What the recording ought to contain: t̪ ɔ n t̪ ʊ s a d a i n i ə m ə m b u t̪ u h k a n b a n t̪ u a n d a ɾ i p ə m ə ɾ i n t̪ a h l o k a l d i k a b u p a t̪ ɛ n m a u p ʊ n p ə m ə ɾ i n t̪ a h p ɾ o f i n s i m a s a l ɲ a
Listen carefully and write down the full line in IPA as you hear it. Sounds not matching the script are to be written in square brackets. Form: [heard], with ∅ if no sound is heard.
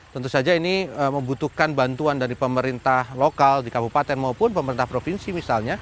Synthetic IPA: t̪ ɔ n t̪ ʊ s a [d͡ʒ] a i n i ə m ə m b u t̪ u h k a n b a n t̪ u a n d a ɾ i p ə m ə ɾ i n t̪ a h l o k a l d i k a b u p a t̪ ɛ n m a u p ʊ n p ə m ə ɾ i n t̪ a h p ɾ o f i n s i m [i] s a l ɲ a

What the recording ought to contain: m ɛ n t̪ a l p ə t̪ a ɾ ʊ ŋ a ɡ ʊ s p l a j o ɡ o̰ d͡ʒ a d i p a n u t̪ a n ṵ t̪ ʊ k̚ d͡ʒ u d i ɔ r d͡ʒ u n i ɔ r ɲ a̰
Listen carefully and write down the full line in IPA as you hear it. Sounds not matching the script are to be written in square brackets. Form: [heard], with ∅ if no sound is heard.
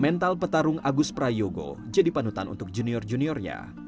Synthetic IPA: m ɛ n t̪ a l p ə t̪ a ɾ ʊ ŋ a ɡ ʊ s p [ɾ] a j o ɡ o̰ d͡ʒ a d i p a n u t̪ a n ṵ t̪ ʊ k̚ d͡ʒ u [n] i ɔ r d͡ʒ u n i ɔ r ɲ a̰

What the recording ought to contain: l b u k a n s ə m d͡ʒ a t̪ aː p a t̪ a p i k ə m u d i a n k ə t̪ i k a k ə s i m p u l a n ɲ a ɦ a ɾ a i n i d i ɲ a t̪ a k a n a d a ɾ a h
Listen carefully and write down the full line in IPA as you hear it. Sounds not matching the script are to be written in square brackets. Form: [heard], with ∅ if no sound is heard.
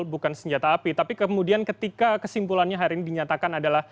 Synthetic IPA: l b u k a n s ə [ɲ] d͡ʒ a t̪ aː p [i] t̪ a p i k ə m u d i a n k ə t̪ i k a k ə s i m p u l a n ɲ a ɦ a ɾ [i] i n i d i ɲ a t̪ a k a n a d a [l] a h

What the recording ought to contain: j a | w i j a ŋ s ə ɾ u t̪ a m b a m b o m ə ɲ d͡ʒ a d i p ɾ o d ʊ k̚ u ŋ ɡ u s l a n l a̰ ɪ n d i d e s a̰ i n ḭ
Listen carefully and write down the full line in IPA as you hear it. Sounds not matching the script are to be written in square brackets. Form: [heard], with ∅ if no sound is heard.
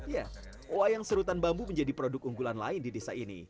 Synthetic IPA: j a | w [a] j a ŋ s ə ɾ u t̪ a [n] b a m b [u] m ə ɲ d͡ʒ a d i p ɾ o d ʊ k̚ u ŋ ɡ u [∅] l a n l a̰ ɪ n d i d e s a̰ i n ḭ

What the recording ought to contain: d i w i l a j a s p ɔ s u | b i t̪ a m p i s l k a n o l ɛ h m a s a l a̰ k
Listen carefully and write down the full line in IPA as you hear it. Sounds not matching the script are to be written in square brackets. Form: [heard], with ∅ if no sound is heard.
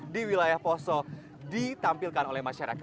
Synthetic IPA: d i w i l a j a [h] p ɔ s [ɔ] | [d] i t̪ a m p i [∅] l k a n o l ɛ h m a [ʃ] a [ɾ] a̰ k

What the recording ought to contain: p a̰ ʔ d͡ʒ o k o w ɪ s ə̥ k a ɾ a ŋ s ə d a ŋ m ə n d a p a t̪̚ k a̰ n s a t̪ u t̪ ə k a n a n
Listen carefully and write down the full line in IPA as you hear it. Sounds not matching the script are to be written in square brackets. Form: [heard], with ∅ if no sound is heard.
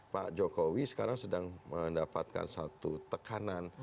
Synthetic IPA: p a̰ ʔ d͡ʒ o k o w [i] s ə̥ k a ɾ a ŋ s ə d a ŋ m ə n d a p a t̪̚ k a̰ n s a t̪ u t̪ ə k a n a n

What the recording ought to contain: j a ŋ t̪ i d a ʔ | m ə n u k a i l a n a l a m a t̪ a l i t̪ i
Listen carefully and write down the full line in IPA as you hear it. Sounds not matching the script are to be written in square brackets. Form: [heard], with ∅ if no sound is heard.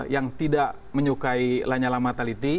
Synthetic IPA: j a ŋ t̪ i d a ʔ | m ə [ɲ] u k a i l a [ɲ] a l a m a t̪ a l i t̪ i

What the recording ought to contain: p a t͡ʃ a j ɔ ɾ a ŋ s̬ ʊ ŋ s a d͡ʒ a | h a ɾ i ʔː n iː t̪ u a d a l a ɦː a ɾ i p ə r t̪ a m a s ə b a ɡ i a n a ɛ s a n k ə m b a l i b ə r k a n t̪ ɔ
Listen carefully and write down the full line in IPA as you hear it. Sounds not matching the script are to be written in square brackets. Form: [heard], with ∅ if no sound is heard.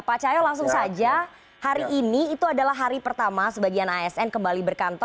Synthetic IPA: p a t͡ʃ a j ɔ [l] a ŋ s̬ ʊ ŋ s a d͡ʒ a | h a ɾ i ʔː n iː t̪ u a d a l a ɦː a ɾ i p ə r t̪ a m a s ə b a ɡ i a n a ɛ s [ɛ] n k ə m b a l i b ə r k a n t̪ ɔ

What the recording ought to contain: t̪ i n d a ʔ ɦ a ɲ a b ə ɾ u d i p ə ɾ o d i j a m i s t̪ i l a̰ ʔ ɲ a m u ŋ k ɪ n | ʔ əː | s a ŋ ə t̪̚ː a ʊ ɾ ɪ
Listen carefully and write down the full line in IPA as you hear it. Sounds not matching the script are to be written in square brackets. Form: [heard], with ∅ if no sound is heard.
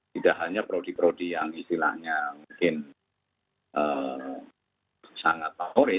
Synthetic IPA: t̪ i [∅] d a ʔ ɦ a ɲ a [p] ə ɾ [o] d i p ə ɾ o d i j a [ŋ] i s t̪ i l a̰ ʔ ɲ a m u ŋ k ɪ n | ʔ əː | s a ŋ [a] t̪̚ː a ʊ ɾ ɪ

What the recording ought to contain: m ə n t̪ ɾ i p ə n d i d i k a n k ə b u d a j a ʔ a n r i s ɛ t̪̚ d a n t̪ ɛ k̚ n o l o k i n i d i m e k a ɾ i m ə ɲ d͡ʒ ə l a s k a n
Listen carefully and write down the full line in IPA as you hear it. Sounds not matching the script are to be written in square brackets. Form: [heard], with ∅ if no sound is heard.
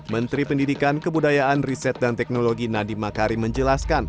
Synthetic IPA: m ə n t̪ ɾ i p ə n d i d i k a n k ə b u d a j a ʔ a n r i s ɛ t̪̚ d a n t̪ ɛ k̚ n o l o [ɡ] i n [a] d i m [a] k a ɾ i m ə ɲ d͡ʒ ə l a s k a n

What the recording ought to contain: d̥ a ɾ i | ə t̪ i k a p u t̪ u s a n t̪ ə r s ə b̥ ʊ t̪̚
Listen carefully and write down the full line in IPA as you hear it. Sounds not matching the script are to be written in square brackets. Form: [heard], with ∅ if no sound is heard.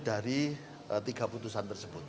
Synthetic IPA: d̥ a ɾ i | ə t̪ i [ɡ] a p u t̪ u s a n t̪ ə r s ə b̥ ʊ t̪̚

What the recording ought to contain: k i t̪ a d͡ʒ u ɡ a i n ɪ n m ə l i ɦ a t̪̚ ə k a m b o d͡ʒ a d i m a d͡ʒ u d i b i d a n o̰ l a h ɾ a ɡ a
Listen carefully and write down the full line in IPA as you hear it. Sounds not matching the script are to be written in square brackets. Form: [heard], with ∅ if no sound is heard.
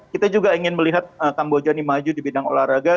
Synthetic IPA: k i t̪ a d͡ʒ u ɡ a i [ŋ] ɪ n m ə l i ɦ a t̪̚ ə k a m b o d͡ʒ a [n] i m a d͡ʒ u d i b i d a [ŋ] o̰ l a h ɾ a ɡ a

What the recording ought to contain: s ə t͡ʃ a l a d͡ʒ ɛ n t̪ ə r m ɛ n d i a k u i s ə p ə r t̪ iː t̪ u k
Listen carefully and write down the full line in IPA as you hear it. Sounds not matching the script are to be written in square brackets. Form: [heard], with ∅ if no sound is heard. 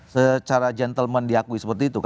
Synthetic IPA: s ə t͡ʃ a [ɾ] a d͡ʒ ɛ n t̪ ə [l] m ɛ n d i a k u i s ə p ə r t̪ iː t̪ u k

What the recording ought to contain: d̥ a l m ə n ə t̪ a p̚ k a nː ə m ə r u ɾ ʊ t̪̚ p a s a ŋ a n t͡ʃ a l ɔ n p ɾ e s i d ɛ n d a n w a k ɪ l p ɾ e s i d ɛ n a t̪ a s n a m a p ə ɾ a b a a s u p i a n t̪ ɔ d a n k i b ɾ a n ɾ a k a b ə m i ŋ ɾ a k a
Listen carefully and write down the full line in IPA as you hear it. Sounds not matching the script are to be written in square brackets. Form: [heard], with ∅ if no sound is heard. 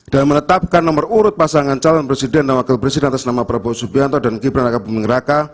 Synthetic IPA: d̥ a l m ə n ə t̪ a p̚ k a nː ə m ə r u ɾ ʊ t̪̚ p a s a ŋ a n t͡ʃ a l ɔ n p ɾ e s i d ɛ n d a n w a k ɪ l p ɾ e s i d ɛ n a t̪ a s n a m a p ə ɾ a b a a s u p i a n t̪ ɔ d a n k i b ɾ a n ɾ a k a b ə m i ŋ ɾ a k a

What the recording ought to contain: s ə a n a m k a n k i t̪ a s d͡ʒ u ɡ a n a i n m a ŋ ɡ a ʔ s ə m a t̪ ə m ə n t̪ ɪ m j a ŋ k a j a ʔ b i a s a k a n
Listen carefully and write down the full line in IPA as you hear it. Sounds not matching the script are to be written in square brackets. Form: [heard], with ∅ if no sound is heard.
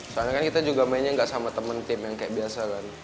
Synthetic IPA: s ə a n a [∅] k a n k i t̪ a [∅] d͡ʒ u ɡ a [m] a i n [ɲ] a ŋ ɡ a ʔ s [a] m a t̪ ə m ə n t̪ ɪ m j a ŋ k a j a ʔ b i a s a k a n

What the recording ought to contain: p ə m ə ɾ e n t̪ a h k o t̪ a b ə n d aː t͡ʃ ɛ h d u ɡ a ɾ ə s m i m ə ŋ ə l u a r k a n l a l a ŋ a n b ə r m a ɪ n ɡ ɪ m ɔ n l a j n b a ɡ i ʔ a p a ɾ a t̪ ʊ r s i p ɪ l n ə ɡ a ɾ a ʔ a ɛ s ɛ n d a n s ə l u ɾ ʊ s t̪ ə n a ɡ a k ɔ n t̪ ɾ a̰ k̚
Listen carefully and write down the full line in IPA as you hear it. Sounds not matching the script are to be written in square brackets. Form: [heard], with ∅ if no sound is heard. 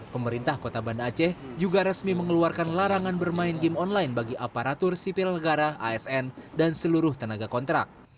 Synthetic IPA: p ə m ə ɾ [i] n t̪ a h k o t̪ a b [a] n d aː t͡ʃ ɛ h [d͡ʒ] u ɡ a ɾ ə s m i m ə ŋ ə l u a r k a n l a [ɾ] a ŋ a n b ə r m a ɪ n ɡ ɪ m ɔ n l a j n b a ɡ i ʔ a p a ɾ a t̪ ʊ r s i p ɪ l n ə ɡ a ɾ a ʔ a ɛ s ɛ n d a n s ə l u ɾ ʊ [h] t̪ ə n a ɡ a k ɔ n t̪ ɾ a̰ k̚

